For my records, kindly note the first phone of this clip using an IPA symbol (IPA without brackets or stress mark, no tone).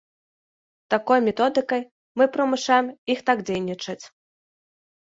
t̪